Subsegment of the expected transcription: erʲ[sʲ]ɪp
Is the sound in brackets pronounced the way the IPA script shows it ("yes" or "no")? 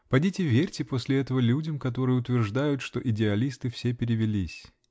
no